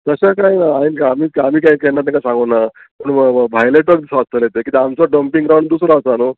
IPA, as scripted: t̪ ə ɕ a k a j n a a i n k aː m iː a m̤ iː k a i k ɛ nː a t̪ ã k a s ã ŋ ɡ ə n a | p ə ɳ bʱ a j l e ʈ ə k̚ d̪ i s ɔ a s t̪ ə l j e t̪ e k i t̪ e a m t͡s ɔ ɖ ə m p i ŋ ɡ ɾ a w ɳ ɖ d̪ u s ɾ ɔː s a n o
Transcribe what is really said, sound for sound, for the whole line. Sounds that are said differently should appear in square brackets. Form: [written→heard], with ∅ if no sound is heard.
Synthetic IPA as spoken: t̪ ə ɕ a k a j n a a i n k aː m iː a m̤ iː k a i k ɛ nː a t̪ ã k a s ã ŋ ɡ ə n a | p ə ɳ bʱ a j l e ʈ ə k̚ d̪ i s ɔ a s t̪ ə l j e t̪ e k i t̪ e a m t͡s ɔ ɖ ə m p i ŋ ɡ ɾ a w ɳ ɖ d̪ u s ɾ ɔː s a n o